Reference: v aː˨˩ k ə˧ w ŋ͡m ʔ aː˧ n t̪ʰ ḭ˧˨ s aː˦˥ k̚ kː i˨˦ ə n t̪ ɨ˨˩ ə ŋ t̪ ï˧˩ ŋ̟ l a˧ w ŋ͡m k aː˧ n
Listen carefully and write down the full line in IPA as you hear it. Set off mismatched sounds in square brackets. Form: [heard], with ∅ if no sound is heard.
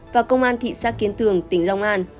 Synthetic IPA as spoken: v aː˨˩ k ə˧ w ŋ͡m ʔ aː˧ n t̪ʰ ḭ˧˨ s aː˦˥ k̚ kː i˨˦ ə n t̪ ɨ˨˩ ə ŋ t̪ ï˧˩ ŋ̟ l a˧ w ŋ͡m [ʔ] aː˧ n